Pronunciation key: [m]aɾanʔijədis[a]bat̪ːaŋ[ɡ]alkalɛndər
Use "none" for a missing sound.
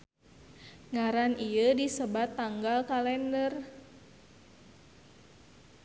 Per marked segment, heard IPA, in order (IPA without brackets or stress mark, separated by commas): ŋ, ə, ɡ